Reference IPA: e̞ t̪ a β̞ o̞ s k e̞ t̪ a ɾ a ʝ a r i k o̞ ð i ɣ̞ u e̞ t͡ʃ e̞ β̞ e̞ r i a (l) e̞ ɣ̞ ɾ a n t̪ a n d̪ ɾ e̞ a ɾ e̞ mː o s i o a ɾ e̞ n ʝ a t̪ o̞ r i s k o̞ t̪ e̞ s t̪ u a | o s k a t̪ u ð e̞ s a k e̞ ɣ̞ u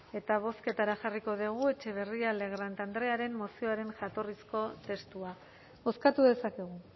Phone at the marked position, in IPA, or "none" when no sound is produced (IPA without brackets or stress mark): l